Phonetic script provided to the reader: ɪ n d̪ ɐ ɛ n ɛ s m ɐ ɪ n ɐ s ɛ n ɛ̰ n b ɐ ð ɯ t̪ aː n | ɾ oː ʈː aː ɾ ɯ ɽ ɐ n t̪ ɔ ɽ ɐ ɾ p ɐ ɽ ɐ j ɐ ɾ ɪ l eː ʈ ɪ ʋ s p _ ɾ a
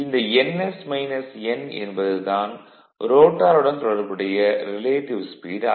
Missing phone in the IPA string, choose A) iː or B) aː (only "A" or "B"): A